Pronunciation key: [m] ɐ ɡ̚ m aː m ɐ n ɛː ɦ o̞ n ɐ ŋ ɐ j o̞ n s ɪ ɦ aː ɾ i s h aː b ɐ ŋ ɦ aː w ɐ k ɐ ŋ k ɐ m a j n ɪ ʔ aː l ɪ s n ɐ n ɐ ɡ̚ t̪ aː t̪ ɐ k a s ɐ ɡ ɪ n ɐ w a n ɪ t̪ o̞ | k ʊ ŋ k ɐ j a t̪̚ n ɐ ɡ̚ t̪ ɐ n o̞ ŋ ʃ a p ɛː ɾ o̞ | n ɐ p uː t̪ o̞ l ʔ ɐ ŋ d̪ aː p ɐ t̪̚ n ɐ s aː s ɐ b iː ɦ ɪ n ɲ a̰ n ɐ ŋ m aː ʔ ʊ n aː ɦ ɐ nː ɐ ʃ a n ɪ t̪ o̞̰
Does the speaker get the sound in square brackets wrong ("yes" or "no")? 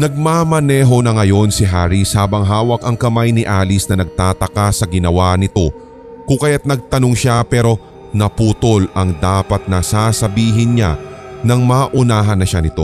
yes